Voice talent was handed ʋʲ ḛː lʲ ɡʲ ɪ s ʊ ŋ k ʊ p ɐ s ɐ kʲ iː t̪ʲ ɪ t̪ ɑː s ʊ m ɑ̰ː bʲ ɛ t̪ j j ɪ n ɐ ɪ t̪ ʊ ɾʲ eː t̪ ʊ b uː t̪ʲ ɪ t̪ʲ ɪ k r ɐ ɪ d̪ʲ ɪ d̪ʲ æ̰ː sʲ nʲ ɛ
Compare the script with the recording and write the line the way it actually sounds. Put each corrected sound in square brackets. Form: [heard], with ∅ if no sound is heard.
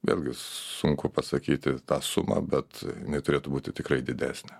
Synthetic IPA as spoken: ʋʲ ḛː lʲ ɡʲ ɪ s ʊ ŋ k ʊ p ɐ s ɐ kʲ iː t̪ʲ ɪ t̪ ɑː s ʊ m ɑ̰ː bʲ ɛ t̪ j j ɪ n ɐ ɪ t̪ ʊ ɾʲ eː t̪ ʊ b uː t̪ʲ ɪ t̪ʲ ɪ k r ɐ ɪ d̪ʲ ɪ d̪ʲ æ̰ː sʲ nʲ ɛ

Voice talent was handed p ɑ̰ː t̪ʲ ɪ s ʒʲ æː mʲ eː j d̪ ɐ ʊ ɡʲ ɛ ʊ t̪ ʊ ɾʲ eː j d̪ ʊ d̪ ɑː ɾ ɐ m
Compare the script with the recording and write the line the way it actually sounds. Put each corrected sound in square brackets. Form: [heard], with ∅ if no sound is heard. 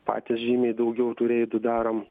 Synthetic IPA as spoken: p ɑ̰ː t̪ʲ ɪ s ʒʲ [iː] mʲ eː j d̪ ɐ ʊ ɡʲ ɛ ʊ t̪ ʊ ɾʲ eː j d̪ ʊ d̪ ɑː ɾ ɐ m

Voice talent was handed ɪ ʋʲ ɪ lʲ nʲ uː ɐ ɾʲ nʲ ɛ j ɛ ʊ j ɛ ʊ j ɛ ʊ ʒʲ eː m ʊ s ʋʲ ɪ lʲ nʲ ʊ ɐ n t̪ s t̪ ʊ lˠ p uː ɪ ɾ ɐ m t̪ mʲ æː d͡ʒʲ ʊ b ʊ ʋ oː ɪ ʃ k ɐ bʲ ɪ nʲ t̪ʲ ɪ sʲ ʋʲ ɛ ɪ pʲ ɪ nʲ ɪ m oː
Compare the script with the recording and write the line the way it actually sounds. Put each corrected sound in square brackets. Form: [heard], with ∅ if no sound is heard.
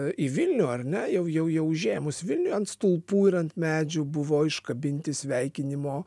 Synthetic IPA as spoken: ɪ ʋʲ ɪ lʲ nʲ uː ɐ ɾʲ nʲ ɛ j ɛ ʊ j ɛ ʊ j ɛ ʊ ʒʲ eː m ʊ s ʋʲ ɪ lʲ nʲ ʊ ɐ n t̪ s t̪ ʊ lˠ p uː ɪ ɾ ɐ [n] t̪ mʲ æː d͡ʒʲ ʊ b ʊ ʋ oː ɪ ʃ k ɐ bʲ ɪ nʲ t̪ʲ ɪ sʲ ʋʲ ɛ ɪ [kʲ] ɪ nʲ ɪ m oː

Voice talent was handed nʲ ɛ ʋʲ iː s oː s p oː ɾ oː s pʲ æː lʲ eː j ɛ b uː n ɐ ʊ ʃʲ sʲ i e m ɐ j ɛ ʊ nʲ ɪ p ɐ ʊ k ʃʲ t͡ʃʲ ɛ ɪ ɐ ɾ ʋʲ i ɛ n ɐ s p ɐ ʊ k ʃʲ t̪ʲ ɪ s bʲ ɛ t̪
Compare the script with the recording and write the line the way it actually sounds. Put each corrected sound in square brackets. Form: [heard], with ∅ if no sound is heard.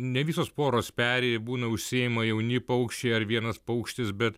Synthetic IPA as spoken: nʲ ɛ ʋʲ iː s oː s p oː ɾ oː s pʲ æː [ɾʲ] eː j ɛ b uː n ɐ ʊ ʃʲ sʲ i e m ɐ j ɛ ʊ nʲ ɪ p ɐ ʊ k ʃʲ t͡ʃʲ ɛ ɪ ɐ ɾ ʋʲ i ɛ n ɐ s p ɐ ʊ k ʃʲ t̪ʲ ɪ s bʲ ɛ t̪

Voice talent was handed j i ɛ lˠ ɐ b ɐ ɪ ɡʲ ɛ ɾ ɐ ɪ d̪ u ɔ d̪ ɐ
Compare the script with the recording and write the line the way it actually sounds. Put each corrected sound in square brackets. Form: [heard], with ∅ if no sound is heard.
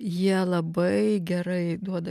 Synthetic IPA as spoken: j i ɛ lˠ ɐ b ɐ ɪ ɡʲ ɛ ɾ ɐ ɪ d̪ u ɔ d̪ ɐ

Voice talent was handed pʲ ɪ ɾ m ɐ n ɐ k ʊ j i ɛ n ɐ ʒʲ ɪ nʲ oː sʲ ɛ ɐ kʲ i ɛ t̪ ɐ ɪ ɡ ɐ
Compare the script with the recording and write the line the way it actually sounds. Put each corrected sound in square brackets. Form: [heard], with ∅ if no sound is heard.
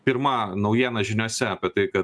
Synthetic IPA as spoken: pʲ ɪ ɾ m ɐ n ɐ [∅] ʊ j i ɛ n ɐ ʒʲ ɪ nʲ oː sʲ ɛ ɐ [pʲ] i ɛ t̪ ɐ ɪ [k] ɐ

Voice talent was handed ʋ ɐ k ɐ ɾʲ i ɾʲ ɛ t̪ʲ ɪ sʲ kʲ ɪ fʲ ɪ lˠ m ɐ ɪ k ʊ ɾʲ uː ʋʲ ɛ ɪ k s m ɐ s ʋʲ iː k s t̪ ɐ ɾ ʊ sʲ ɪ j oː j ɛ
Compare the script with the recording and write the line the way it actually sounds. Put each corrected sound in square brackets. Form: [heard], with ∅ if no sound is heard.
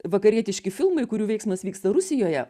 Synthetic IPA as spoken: ʋ ɐ k ɐ ɾʲ i [∅] ɛ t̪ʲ ɪ [ʃʲ] kʲ ɪ fʲ ɪ lˠ m ɐ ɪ k ʊ ɾʲ uː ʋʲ ɛ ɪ k s m ɐ s ʋʲ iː k s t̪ ɐ ɾ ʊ sʲ ɪ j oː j ɛ

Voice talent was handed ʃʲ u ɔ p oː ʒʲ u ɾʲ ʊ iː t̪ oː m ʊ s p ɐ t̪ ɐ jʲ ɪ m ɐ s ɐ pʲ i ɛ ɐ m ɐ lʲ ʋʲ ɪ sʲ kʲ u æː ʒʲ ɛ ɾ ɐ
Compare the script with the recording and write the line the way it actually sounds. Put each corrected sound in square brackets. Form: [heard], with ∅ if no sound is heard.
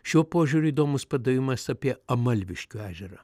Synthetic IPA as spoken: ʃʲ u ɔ p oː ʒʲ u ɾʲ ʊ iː [d̪] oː m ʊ s p ɐ [d̪] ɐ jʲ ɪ m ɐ s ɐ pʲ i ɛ ɐ m ɐ lʲ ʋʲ ɪ [ʃʲ] kʲ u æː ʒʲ ɛ ɾ ɐ

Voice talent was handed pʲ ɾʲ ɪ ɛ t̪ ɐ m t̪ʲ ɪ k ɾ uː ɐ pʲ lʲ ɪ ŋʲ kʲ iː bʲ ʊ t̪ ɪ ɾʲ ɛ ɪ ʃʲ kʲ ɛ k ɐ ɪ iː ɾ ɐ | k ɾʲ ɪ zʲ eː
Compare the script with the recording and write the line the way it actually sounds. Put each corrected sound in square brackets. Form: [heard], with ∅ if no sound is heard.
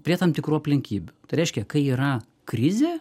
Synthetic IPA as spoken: pʲ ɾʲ [i] ɛ t̪ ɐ m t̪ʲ ɪ k ɾ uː ɐ pʲ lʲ ɪ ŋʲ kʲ iː bʲ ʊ t̪ ɪ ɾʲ ɛ ɪ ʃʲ kʲ ɛ k ɐ ɪ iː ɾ ɐ | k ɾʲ ɪ zʲ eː

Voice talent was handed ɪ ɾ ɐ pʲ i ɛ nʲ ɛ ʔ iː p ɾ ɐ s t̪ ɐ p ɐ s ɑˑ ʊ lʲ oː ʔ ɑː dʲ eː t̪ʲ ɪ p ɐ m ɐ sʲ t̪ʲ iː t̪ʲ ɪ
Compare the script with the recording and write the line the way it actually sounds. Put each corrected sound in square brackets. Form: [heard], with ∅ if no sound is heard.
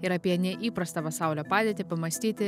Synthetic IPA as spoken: ɪ ɾ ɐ pʲ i ɛ nʲ ɛ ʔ iː p ɾ ɐ s t̪ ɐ p ɐ s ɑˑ ʊ lʲ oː [p] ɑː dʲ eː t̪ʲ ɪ p ɐ m ɐ sʲ t̪ʲ iː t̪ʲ ɪ

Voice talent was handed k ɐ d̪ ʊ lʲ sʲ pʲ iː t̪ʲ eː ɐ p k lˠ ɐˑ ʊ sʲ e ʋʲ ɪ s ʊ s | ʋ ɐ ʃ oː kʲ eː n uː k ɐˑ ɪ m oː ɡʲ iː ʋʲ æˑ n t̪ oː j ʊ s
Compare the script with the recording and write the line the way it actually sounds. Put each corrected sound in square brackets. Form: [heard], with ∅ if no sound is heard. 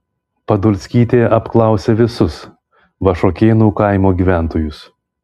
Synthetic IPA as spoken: [p] ɐ d̪ ʊ lʲ sʲ [kʲ] iː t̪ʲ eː ɐ p k lˠ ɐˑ ʊ sʲ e ʋʲ ɪ s ʊ s | ʋ ɐ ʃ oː kʲ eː n uː k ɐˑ ɪ m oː ɡʲ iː ʋʲ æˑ n t̪ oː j ʊ s

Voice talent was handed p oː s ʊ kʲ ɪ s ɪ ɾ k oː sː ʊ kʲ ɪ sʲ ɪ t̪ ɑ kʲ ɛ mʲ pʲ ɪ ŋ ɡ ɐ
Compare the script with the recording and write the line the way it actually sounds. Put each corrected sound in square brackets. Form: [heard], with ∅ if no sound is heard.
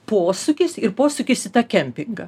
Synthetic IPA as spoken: p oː s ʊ kʲ ɪ s ɪ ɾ [p] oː [s] ʊ kʲ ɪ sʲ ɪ t̪ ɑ kʲ ɛ mʲ pʲ ɪ ŋ ɡ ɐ

